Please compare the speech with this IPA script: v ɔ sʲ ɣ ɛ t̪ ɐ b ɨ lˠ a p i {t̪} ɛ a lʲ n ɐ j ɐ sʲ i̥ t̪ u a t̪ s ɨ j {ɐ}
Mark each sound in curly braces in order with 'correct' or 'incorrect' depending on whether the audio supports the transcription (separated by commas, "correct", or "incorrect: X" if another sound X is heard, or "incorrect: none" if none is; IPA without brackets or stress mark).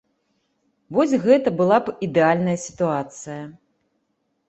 incorrect: d̪, correct